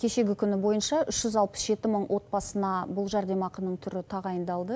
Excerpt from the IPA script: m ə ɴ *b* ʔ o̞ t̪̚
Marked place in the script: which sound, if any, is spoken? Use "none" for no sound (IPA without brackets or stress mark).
w